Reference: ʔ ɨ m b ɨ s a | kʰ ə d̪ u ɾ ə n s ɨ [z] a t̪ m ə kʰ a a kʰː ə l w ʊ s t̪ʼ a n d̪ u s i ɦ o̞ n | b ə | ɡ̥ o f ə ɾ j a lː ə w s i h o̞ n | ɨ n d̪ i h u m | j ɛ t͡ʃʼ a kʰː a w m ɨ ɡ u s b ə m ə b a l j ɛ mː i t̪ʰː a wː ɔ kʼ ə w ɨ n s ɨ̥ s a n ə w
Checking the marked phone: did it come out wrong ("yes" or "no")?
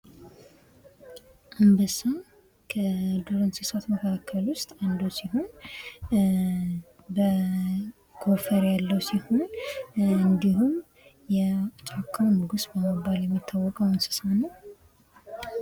yes